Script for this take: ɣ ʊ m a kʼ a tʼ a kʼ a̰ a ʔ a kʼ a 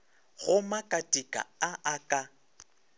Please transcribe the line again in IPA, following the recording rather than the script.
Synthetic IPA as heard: ɣ ʊ m a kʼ a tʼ i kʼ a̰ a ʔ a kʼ a